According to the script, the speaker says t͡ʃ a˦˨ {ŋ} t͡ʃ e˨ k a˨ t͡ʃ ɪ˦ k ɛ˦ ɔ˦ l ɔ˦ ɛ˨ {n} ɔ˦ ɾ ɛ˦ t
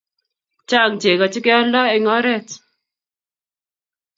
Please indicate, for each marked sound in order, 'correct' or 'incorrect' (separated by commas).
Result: correct, incorrect